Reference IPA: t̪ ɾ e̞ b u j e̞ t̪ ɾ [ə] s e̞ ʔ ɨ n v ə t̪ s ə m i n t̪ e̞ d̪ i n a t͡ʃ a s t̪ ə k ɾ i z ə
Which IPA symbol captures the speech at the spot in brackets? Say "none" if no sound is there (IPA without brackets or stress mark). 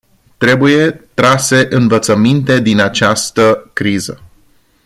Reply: a